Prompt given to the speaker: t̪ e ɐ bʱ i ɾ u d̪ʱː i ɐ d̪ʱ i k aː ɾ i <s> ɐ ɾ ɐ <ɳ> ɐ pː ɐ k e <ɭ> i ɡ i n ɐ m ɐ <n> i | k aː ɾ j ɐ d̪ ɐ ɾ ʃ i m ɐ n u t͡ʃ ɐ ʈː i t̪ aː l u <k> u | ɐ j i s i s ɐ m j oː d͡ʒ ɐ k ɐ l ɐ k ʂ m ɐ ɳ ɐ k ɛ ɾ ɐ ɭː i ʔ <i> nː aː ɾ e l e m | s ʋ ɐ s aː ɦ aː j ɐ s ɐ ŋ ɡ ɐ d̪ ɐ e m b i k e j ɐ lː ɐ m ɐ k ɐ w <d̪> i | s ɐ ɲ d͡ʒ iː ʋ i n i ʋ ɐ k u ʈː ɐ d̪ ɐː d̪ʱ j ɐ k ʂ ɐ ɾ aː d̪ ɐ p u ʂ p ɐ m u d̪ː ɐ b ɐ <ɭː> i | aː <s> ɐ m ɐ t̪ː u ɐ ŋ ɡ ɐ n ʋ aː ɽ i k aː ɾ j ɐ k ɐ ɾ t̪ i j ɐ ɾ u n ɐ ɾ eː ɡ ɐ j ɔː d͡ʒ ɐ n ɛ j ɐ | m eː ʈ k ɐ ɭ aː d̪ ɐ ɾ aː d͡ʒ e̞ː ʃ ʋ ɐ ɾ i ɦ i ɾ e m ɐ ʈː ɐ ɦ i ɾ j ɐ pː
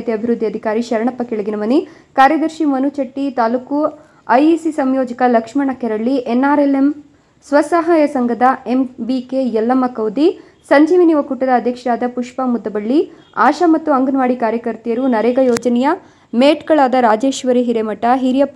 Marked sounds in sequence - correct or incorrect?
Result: incorrect: ʃ, correct, correct, correct, correct, incorrect: e, correct, correct, incorrect: ʃ

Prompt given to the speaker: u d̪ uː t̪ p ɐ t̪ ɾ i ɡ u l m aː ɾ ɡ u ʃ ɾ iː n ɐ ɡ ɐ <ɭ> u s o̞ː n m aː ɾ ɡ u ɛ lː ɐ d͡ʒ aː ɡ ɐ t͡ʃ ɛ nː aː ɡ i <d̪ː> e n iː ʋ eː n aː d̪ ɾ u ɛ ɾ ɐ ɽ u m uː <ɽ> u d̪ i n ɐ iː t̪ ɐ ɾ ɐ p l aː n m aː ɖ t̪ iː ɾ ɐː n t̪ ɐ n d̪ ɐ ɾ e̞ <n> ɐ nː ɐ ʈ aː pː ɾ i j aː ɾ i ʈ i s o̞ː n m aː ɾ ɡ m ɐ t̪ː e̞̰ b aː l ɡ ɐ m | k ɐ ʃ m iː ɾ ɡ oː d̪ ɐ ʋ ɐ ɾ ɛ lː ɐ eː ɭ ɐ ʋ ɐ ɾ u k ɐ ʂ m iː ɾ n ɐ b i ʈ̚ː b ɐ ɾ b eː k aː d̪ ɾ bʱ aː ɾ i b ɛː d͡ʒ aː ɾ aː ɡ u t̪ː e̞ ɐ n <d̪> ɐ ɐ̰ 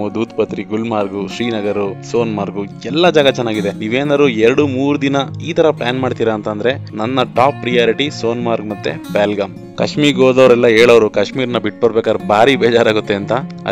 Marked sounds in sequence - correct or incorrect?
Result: incorrect: ɾ, incorrect: d̪, incorrect: ɾ, correct, incorrect: t̪

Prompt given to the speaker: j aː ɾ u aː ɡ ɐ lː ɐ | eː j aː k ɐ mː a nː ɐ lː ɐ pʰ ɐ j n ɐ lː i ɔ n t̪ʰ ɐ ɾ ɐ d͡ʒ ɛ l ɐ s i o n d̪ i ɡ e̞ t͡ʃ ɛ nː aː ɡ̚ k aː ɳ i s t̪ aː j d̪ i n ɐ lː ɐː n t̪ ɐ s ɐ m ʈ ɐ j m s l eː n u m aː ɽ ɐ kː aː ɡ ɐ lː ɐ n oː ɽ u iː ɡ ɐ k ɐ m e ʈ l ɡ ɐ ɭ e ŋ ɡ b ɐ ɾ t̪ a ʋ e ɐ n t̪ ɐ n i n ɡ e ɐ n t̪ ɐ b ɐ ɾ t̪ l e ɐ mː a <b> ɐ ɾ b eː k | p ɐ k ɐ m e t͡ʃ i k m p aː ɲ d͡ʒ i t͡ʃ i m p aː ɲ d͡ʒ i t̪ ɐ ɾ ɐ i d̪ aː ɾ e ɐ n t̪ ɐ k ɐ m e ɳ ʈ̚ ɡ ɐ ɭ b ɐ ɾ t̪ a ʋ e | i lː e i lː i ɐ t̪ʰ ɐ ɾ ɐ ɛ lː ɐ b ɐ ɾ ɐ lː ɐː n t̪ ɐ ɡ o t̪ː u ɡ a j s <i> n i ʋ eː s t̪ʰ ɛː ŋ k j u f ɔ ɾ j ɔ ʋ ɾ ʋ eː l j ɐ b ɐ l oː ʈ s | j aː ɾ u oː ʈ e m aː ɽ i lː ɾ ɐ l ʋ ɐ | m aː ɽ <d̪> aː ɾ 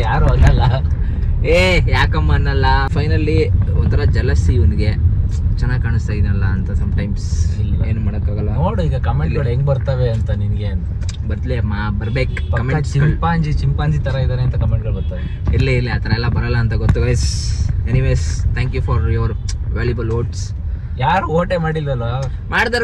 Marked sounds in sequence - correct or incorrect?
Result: correct, incorrect: e, correct

